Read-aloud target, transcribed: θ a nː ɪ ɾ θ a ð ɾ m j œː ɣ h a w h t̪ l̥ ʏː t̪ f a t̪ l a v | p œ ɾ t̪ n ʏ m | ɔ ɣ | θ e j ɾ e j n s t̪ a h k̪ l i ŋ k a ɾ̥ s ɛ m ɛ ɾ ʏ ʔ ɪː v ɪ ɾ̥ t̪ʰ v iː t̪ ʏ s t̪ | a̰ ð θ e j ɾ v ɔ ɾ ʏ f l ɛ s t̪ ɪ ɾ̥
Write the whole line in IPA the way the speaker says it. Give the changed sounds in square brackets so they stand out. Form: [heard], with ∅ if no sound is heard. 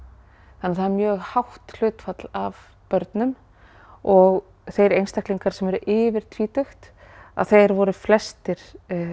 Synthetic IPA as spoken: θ a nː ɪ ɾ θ a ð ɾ m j œː ɣ h a w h t̪ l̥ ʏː t̪ f a t̪ l a v | p œ ɾ t̪ n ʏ m | ɔ ɣ | θ e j ɾ e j n s t̪ a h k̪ l i ŋ k a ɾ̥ s ɛ m ɛ ɾ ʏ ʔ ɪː v ɪ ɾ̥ t̪ʰ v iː t̪ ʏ [x] t̪ | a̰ ð θ e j ɾ v ɔ ɾ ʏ f l ɛ s t̪ ɪ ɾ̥